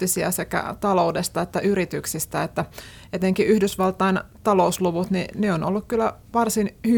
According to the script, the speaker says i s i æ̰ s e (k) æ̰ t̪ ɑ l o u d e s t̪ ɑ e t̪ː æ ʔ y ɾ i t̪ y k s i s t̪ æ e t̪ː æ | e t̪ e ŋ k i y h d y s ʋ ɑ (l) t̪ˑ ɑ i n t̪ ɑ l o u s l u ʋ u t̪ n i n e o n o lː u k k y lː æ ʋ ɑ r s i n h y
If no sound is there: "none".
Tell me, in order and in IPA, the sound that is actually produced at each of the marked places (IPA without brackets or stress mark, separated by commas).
k, l